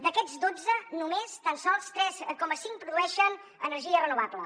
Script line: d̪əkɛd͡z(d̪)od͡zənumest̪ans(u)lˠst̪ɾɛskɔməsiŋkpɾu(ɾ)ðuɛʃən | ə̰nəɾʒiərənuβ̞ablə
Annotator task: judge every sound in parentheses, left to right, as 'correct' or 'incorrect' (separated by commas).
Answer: correct, incorrect, incorrect